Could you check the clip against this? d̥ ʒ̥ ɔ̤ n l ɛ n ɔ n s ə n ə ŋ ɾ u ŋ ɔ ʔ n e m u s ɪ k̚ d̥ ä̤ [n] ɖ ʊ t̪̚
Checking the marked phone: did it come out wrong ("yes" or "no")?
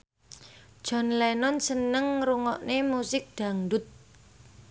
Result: yes